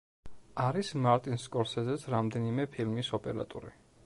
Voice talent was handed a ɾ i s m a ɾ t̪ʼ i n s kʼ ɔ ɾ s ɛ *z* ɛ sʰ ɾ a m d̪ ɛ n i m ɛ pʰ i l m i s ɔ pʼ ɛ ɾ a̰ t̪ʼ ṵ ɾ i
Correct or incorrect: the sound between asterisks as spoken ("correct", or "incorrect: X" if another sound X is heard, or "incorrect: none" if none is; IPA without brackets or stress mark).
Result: correct